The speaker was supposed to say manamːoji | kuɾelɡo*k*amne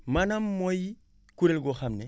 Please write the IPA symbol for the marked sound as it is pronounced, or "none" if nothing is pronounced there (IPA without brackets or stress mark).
x